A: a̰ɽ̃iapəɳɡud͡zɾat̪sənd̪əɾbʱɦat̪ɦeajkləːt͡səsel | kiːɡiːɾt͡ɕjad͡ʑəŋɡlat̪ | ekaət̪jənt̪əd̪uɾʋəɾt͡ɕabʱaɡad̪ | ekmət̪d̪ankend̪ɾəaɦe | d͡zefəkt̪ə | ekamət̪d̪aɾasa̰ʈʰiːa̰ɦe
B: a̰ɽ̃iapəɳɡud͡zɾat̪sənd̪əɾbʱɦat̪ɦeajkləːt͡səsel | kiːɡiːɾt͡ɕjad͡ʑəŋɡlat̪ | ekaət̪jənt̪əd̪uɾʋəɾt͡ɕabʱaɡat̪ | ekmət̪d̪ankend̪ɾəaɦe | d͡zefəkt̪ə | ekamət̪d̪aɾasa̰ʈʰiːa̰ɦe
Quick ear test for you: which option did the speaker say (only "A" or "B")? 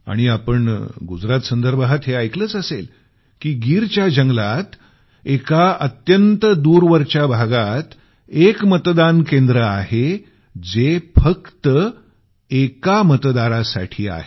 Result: B